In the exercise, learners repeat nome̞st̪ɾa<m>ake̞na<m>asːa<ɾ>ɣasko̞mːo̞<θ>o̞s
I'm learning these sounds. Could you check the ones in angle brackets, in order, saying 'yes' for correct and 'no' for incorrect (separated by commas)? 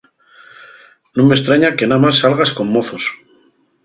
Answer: no, yes, no, yes